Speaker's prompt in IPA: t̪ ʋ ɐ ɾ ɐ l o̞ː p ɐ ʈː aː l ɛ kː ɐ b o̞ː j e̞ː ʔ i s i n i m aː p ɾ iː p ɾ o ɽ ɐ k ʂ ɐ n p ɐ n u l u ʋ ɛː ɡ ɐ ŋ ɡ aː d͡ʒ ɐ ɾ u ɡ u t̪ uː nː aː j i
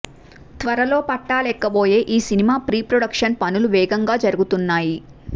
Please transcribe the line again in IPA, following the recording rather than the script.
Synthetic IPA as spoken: t̪ ʋ ɐ ɾ ɐ l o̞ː p ɐ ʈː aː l ɛ kː ɐ b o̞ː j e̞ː ʔ iː s i n i m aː p ɾ iː p ɾ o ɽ ɐ k ʂ ɐ n p ɐ n u l u ʋ ɛː ɡ ɐ ŋ ɡ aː d͡ʒ ɐ ɾ u ɡ u t̪ u nː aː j i